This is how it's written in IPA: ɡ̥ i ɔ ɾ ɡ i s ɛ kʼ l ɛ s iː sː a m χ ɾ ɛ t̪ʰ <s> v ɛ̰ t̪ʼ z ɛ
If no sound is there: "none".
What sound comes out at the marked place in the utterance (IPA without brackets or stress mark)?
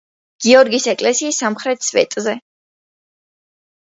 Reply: s